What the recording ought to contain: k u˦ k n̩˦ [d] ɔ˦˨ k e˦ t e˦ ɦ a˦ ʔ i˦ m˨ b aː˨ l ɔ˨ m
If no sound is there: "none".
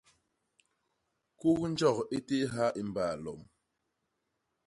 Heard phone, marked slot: d͡ʒ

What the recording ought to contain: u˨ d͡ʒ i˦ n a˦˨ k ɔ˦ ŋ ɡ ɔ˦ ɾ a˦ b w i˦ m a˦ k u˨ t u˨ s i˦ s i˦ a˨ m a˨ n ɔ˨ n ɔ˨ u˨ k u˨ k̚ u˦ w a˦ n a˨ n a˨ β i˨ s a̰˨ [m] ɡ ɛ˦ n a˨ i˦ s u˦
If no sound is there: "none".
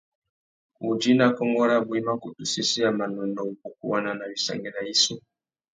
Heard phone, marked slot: ŋ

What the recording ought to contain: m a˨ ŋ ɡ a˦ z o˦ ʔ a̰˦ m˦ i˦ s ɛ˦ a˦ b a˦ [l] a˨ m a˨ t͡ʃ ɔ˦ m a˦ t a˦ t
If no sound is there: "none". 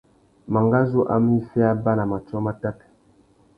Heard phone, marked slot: l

